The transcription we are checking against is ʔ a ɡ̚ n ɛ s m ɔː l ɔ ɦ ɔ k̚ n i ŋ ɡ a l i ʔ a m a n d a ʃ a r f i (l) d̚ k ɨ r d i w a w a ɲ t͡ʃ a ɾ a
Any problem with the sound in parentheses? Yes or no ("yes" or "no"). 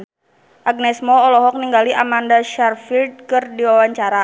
no